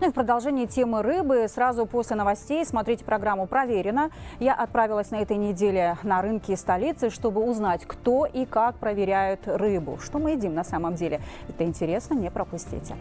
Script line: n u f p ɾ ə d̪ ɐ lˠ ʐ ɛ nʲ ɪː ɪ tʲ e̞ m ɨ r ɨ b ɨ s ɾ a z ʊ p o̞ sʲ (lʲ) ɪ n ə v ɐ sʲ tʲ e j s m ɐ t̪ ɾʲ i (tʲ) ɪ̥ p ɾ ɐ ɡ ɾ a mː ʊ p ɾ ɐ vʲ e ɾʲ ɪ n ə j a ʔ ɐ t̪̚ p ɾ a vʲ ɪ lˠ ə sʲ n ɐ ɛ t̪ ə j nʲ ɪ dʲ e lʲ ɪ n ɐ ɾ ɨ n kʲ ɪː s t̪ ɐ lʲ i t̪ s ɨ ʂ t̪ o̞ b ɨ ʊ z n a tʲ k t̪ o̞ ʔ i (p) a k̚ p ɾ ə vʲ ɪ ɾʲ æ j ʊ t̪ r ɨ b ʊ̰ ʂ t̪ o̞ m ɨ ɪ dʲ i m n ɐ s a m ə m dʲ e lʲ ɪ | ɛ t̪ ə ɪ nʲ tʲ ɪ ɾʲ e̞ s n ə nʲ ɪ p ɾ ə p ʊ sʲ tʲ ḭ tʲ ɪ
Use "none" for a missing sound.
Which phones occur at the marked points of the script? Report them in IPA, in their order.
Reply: lʲ, tʲ, k

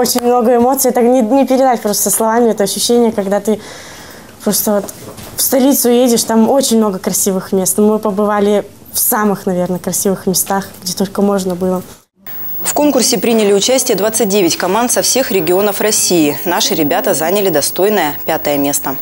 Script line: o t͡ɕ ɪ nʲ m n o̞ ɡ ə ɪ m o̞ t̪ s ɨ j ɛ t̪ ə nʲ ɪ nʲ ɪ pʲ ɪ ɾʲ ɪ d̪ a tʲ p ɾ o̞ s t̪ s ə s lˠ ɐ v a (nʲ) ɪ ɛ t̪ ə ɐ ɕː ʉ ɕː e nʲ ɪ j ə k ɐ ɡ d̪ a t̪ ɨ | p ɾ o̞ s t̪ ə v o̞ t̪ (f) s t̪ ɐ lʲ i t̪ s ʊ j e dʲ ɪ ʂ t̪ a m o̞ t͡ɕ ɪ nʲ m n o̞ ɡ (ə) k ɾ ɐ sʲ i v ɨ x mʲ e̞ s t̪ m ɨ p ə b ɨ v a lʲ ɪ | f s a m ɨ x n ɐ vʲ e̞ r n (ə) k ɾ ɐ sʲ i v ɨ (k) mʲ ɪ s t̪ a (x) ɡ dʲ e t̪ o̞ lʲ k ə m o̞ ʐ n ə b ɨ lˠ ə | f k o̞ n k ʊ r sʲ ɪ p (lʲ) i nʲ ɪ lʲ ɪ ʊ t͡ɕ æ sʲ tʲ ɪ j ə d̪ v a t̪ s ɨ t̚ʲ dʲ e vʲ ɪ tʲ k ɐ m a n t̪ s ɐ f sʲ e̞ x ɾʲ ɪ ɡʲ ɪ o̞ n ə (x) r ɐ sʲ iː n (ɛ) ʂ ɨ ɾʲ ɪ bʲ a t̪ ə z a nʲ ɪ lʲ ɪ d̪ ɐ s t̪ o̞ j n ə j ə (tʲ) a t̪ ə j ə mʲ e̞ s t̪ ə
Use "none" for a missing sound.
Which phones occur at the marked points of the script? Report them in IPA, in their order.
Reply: mʲ, f, ə, ə, x, x, ɾʲ, f, a, pʲ

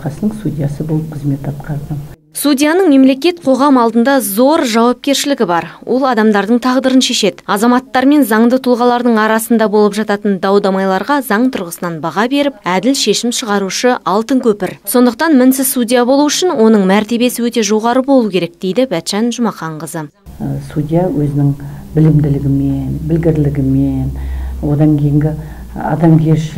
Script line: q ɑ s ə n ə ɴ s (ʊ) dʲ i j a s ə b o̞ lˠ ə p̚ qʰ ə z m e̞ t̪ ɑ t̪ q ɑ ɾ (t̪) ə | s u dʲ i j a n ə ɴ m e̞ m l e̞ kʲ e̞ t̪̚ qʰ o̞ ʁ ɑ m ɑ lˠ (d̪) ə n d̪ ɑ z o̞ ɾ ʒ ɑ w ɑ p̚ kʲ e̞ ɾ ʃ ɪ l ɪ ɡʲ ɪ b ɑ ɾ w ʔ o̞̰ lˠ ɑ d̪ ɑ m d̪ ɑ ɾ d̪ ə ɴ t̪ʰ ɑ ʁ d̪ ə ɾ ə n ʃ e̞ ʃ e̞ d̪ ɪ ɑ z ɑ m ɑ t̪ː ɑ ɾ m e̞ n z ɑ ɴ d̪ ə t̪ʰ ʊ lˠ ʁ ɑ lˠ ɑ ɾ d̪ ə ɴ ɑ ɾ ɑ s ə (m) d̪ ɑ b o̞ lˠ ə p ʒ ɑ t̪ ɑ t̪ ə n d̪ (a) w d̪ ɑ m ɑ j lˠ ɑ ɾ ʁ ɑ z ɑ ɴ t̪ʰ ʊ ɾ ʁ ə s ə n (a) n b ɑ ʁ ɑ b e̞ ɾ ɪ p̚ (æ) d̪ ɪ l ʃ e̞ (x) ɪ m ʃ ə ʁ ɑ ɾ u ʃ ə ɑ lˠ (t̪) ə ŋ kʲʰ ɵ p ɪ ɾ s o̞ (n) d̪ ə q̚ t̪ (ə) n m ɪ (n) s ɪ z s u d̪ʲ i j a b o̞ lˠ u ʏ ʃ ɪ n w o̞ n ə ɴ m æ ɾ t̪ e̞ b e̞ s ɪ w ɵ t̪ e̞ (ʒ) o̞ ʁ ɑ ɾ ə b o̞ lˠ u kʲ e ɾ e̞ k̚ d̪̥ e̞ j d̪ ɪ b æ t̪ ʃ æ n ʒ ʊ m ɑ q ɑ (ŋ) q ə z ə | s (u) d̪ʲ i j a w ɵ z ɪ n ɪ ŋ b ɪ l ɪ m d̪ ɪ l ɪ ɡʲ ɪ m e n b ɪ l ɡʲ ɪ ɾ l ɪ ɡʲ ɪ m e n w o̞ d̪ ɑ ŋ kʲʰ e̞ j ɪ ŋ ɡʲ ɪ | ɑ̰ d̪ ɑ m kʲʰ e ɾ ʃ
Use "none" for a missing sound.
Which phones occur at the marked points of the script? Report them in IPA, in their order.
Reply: u, d̪, d̪, n, ɑ, ɑ, æ, ʃ, t̪, n, ɑ, n, ʒ, ɴ, u

